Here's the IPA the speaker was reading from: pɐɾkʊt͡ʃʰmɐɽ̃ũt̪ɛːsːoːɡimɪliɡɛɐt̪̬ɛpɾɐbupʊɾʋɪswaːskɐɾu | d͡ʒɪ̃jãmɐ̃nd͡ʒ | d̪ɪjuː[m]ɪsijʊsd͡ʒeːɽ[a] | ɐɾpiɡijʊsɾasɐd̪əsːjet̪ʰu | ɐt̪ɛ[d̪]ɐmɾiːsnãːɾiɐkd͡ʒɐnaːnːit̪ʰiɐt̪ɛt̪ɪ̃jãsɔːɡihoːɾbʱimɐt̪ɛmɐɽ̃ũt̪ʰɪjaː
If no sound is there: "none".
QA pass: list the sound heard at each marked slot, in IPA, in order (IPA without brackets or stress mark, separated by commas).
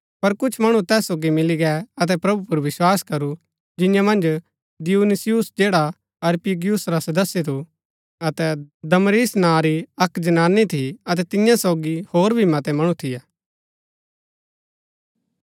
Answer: n, a, d̪